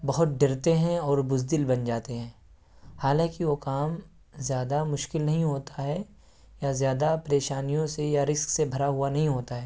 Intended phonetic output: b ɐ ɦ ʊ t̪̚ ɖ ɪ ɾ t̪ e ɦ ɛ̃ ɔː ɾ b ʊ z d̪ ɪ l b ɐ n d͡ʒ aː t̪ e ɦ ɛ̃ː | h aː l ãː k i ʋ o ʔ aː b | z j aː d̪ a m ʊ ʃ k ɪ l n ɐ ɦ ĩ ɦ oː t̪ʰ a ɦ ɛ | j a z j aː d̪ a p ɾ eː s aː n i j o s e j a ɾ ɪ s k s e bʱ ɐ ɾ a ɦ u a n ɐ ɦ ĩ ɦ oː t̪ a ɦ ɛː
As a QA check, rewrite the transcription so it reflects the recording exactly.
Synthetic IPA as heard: b ɐ ɦ ʊ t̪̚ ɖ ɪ ɾ t̪ e ɦ ɛ̃ ɔː ɾ b ʊ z d̪ ɪ l b ɐ n d͡ʒ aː t̪ e ɦ ɛ̃ː | h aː l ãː k i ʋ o k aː m | z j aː d̪ a m ʊ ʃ k ɪ l n ɐ ɦ ĩ ɦ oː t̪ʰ a ɦ ɛ | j a z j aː d̪ a p ɾ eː ʃ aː n i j õ s e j a ɾ ɪ s k s e bʱ ɐ ɾ a ɦ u a n ɐ ɦ ĩ ɦ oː t̪ a ɦ ɛː